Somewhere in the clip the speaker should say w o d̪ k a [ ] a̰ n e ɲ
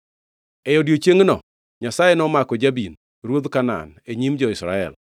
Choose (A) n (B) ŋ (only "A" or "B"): A